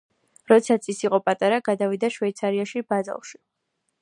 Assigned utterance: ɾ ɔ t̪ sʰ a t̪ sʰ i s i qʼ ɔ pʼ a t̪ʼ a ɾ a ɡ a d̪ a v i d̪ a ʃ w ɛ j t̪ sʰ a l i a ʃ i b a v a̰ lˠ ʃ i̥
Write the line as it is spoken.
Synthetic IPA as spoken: ɾ ɔ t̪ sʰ a t̪ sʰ i s i qʼ ɔ pʼ a t̪ʼ a ɾ a ɡ a d̪ a v i d̪ a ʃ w ɛ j t̪ sʰ a ɾ i a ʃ i b a z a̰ lˠ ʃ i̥